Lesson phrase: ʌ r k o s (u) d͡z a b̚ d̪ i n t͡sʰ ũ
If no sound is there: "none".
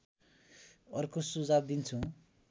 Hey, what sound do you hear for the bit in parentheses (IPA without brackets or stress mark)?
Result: u